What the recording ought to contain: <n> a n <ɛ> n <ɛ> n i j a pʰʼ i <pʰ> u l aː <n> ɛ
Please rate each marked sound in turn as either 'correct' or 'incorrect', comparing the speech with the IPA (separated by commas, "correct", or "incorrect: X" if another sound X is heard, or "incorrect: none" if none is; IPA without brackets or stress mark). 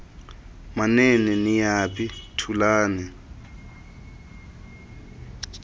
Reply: incorrect: m, correct, correct, incorrect: tʰ, correct